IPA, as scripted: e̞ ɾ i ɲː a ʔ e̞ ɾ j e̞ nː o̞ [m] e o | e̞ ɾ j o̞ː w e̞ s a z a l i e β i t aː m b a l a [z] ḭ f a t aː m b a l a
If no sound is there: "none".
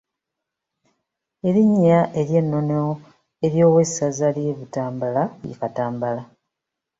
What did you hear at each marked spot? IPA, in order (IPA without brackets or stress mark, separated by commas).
n, none